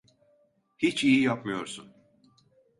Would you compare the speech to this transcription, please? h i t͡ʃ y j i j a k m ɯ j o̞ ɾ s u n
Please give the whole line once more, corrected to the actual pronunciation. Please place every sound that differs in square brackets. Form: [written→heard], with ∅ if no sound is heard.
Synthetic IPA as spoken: h i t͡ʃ [y→i] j i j a [k→p] m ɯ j o̞ ɾ s u n